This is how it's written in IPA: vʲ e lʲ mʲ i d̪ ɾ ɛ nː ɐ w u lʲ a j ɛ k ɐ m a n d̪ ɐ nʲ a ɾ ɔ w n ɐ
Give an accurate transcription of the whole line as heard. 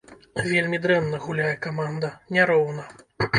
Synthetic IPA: vʲ e lʲ mʲ i d̪ ɾ ɛ nː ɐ ɣ u lʲ a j ɛ k a m a n d̪ ɐ nʲ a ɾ ɔ w n ɐ